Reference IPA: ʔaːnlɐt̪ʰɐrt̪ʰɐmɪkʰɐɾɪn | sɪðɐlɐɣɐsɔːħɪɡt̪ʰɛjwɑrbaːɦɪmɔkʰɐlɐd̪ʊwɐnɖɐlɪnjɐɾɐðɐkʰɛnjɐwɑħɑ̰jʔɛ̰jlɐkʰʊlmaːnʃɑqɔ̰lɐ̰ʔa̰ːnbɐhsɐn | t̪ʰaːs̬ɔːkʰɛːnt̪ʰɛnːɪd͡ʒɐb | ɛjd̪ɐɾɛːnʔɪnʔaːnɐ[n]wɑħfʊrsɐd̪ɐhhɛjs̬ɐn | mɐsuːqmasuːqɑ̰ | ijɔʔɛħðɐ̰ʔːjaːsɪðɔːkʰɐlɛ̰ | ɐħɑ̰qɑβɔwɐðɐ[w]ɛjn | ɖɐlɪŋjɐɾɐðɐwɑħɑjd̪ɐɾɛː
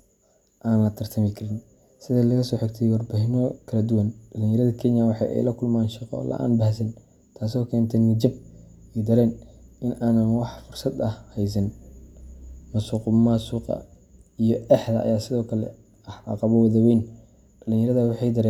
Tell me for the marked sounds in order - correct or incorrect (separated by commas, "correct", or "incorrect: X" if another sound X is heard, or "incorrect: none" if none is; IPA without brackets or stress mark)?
correct, correct